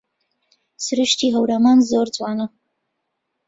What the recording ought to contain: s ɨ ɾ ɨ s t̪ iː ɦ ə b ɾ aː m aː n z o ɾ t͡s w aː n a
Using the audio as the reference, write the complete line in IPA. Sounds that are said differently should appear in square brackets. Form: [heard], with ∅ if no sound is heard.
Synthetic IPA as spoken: s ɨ ɾ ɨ [ʃ] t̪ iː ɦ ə [w] ɾ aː m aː n z o ɾ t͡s w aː n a